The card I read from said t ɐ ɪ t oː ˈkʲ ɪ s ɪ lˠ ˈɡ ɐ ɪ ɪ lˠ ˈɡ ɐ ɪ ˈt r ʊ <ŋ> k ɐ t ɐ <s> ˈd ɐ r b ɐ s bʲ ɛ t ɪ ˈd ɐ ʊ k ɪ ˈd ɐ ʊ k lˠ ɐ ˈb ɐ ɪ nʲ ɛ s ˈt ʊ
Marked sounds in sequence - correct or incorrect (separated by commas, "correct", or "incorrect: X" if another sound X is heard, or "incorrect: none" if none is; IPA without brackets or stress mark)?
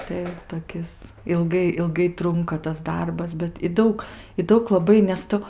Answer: correct, correct